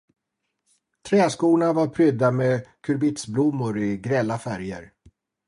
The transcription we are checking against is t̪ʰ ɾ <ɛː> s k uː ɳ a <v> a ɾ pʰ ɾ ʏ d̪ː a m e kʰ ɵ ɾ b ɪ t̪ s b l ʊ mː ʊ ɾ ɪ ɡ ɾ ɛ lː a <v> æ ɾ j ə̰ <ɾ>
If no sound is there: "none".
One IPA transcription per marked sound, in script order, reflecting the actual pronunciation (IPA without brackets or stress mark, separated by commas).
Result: ɛː, v, f, ɾ